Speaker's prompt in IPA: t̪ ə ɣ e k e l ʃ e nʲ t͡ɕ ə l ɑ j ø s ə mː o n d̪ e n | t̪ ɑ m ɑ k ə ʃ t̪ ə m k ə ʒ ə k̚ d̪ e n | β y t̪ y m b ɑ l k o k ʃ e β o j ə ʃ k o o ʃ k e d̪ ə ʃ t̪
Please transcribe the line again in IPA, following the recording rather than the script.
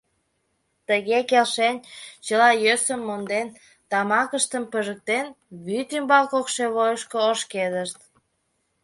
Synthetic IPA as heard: t̪ ə ɣ e k e l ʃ e nʲ t͡ɕ ə l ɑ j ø s ə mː o n d̪ e n | t̪ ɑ m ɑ k ə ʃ t̪ ə m p ə ʒ ə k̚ t̪ e n | β y t̪ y m b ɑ l k o k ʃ e β o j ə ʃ k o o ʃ k e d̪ ə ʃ t̪